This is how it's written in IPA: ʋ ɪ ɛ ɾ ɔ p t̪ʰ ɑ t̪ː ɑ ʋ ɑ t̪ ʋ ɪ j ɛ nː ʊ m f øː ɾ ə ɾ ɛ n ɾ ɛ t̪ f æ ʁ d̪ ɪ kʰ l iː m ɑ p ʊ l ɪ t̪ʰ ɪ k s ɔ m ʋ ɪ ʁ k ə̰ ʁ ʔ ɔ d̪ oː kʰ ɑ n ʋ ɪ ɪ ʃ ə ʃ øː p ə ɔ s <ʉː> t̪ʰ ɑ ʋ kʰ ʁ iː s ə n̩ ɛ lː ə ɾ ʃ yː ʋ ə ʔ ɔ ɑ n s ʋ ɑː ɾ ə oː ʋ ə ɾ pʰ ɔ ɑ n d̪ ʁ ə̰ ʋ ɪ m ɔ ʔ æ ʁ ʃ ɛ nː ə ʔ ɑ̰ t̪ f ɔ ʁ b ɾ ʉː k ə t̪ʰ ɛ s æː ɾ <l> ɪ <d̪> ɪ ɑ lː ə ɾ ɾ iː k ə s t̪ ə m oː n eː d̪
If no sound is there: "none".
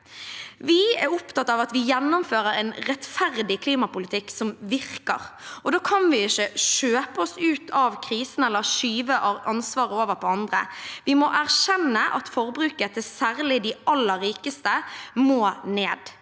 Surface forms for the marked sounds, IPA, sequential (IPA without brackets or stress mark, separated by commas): ʉː, l, d̪